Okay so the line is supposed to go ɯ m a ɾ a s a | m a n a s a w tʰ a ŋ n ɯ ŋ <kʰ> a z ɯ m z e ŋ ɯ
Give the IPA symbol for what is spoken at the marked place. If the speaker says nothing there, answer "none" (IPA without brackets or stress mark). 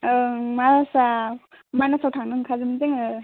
kʰ